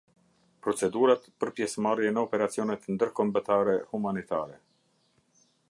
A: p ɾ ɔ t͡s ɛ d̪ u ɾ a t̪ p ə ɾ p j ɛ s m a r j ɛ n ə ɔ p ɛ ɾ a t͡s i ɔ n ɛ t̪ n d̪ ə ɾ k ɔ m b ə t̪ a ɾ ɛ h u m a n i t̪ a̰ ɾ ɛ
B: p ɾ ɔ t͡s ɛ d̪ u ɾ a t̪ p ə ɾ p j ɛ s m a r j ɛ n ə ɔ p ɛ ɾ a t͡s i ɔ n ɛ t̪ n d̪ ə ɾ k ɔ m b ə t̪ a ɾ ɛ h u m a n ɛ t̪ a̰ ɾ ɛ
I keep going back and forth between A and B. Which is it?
A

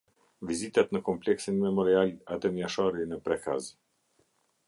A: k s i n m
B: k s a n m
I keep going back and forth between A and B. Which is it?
A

